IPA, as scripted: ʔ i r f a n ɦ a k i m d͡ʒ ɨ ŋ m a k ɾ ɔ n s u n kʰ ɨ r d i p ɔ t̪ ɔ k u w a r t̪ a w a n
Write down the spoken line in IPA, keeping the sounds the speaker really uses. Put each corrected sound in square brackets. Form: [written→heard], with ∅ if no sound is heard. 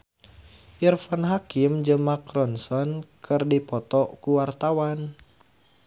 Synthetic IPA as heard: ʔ i r f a n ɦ a k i m d͡ʒ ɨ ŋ m a k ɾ ɔ n s [u→ɔ] n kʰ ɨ r d i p ɔ t̪ ɔ k u w a r t̪ a w a n